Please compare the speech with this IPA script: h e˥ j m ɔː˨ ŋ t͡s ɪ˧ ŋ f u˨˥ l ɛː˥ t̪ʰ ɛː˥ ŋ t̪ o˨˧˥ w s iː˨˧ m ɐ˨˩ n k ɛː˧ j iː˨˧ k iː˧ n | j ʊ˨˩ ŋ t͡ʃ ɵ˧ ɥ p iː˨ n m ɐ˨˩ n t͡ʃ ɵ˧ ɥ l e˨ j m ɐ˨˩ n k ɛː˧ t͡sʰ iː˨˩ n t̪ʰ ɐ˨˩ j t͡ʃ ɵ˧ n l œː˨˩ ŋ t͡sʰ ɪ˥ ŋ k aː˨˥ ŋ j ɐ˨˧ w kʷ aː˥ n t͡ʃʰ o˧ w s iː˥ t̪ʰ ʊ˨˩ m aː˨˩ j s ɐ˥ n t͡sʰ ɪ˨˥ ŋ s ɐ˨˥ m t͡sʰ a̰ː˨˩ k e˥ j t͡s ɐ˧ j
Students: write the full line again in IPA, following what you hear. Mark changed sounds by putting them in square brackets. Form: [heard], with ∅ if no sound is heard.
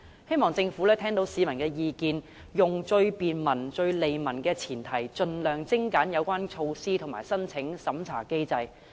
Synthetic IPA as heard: h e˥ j m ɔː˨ ŋ t͡s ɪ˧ ŋ f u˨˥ l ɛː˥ t̪ʰ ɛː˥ ŋ t̪ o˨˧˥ w s iː˨˧ m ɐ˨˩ n k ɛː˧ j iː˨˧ k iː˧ n | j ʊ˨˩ ŋ t͡ʃ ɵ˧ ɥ p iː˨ n m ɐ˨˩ n t͡ʃ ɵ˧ ɥ l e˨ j m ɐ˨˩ n k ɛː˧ t͡sʰ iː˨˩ n t̪ʰ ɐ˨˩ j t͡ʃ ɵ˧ n l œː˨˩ ŋ [t͡s] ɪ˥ ŋ k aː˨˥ [n] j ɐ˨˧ w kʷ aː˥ n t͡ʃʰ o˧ w s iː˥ t̪ʰ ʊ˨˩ m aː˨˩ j s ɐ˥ n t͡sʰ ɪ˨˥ ŋ s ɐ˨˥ m t͡sʰ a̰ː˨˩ k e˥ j t͡s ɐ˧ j